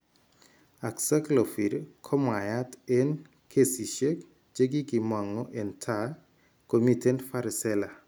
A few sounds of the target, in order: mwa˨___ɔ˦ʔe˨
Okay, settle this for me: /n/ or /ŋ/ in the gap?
ŋ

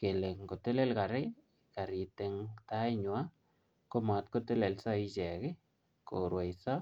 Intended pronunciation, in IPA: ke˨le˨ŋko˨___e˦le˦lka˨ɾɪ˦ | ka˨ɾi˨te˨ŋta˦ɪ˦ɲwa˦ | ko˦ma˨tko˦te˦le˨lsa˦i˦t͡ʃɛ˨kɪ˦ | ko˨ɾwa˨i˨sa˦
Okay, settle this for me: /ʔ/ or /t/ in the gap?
t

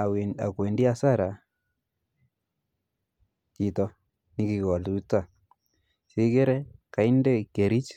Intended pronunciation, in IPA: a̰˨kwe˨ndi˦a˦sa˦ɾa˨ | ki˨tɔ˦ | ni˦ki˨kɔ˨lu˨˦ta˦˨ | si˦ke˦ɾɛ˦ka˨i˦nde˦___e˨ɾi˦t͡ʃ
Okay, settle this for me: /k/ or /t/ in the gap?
k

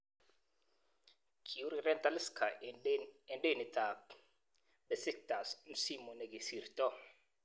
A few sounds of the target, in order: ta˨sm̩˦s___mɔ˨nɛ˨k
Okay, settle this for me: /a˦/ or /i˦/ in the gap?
i˦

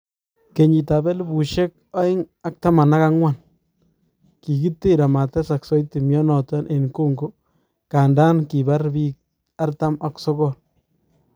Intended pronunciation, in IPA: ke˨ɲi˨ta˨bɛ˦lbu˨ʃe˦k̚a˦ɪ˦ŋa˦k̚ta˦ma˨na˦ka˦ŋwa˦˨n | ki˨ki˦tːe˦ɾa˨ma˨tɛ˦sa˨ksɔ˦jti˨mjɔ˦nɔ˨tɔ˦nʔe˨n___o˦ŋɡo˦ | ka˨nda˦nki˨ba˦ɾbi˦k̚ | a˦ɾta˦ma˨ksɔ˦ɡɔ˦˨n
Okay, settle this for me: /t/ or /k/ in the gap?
k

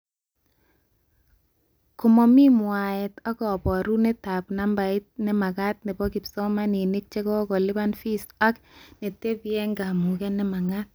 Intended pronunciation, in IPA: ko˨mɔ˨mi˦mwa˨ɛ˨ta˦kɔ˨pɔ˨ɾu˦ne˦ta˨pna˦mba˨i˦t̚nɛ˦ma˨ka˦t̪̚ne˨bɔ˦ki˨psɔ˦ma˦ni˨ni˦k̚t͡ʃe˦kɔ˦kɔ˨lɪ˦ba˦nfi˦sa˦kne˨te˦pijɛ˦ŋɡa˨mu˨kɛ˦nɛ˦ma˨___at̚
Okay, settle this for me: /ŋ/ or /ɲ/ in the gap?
ŋ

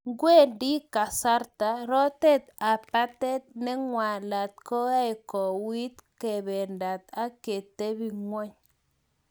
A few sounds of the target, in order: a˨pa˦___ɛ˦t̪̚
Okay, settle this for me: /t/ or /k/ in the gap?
t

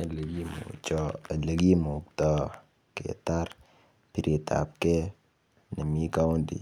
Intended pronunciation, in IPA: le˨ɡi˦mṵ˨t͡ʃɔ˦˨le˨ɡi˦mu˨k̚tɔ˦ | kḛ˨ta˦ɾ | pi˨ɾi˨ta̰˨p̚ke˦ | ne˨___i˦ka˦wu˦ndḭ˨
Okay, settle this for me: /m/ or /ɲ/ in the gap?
m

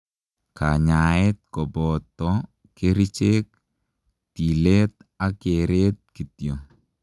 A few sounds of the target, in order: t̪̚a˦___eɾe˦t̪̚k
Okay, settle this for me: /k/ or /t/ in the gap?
k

